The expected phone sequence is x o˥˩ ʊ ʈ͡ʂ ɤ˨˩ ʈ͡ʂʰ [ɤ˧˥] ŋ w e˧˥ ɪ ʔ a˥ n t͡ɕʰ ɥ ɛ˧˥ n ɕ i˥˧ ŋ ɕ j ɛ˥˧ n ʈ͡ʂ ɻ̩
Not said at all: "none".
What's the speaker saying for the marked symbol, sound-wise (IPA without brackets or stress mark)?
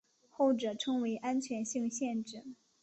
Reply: ɤ˥